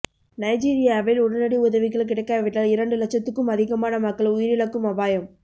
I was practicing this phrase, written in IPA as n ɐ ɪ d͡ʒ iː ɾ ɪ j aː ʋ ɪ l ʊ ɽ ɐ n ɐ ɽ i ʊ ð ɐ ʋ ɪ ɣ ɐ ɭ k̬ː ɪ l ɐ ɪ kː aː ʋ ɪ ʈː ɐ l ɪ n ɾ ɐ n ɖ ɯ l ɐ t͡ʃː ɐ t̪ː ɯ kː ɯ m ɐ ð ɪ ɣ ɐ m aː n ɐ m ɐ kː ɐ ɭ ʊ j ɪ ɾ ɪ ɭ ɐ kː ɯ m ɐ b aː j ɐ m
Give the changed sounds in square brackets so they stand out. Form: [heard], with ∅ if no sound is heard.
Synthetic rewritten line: n ɐ ɪ d͡ʒ iː ɾ ɪ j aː ʋ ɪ l ʊ ɽ ɐ n ɐ ɽ i ʊ ð ɐ ʋ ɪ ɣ ɐ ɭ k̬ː ɪ [ɽ] ɐ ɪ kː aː ʋ ɪ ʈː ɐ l ɪ [∅] ɾ ɐ [ɳ] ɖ ɯ l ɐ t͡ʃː ɐ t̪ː ɯ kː ɯ m ɐ ð ɪ ɣ ɐ m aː n ɐ m ɐ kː ɐ ɭ ʊ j ɪ ɾ ɪ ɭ ɐ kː ɯ m ɐ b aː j ɐ m